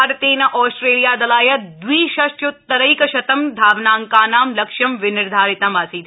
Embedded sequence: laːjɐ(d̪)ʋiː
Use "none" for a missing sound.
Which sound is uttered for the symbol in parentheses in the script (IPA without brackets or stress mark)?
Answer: d̪